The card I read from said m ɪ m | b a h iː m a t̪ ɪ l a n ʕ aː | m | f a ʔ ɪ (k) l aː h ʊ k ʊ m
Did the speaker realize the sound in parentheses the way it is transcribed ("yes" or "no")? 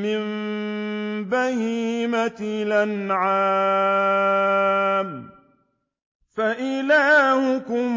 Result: no